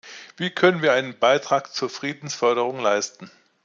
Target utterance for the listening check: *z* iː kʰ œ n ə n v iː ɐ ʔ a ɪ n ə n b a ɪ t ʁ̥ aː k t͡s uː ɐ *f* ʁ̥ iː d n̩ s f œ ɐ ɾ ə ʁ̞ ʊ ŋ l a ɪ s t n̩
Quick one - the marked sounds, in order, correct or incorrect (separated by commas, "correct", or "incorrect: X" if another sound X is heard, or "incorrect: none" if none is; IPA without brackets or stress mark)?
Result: incorrect: v, correct